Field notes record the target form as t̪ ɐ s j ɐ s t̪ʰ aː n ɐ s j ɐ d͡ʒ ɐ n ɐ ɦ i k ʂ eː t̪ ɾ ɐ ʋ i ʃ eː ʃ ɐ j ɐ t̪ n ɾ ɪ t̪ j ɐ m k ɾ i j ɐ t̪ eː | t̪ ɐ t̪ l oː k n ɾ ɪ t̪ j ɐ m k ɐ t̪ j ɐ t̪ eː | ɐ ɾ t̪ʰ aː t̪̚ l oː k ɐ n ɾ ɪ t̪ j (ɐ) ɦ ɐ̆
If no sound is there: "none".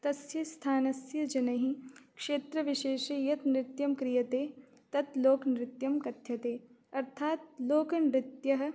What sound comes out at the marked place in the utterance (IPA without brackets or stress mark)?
ɐ